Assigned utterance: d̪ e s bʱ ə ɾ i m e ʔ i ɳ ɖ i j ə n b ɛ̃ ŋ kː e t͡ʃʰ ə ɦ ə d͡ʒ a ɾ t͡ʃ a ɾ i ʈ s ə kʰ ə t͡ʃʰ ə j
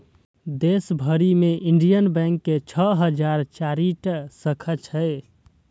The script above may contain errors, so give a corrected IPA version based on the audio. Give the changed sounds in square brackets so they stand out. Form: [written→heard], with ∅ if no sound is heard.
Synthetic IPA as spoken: d̪ e s bʱ ə ɾ i m e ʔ i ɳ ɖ i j ə n b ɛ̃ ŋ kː e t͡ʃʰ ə ɦ ə d͡ʒ a ɾ t͡ʃ a ɾ i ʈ s ə kʰ ə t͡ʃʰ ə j